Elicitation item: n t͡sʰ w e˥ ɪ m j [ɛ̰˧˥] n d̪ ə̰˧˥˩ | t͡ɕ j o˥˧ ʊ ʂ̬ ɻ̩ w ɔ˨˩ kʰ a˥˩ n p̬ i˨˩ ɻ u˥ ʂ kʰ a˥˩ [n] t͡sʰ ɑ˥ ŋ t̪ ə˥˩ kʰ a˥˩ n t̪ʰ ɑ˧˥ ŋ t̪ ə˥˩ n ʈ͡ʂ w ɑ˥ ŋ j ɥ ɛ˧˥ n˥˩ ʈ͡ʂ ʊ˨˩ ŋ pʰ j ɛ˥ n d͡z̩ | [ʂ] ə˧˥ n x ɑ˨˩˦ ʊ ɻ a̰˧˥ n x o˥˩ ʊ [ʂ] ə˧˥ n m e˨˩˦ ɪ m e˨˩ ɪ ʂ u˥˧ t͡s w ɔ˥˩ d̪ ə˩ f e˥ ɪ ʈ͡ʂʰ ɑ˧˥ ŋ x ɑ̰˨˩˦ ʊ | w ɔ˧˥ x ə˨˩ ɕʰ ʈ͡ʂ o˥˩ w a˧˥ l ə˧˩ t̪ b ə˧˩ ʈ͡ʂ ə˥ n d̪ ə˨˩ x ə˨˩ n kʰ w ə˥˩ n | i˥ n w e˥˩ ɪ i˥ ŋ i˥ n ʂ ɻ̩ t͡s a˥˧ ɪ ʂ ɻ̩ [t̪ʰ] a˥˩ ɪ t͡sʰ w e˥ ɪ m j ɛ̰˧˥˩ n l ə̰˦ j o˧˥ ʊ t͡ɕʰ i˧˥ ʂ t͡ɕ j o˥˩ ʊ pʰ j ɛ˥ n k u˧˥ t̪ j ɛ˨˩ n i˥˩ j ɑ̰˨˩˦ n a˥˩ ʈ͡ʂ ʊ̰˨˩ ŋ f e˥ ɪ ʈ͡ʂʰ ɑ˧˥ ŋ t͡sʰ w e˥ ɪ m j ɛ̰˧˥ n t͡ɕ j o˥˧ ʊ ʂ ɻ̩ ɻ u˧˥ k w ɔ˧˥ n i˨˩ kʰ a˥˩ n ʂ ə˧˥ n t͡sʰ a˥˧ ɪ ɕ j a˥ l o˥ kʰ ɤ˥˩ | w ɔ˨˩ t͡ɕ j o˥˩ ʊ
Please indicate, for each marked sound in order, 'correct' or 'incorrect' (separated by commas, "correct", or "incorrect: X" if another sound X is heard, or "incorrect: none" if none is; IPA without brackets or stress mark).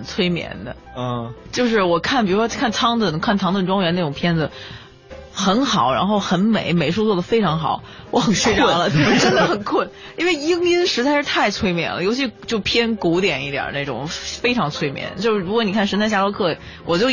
correct, correct, incorrect: x, incorrect: x, correct